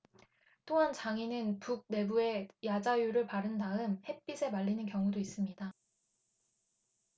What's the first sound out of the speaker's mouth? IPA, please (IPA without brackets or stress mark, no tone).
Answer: t͈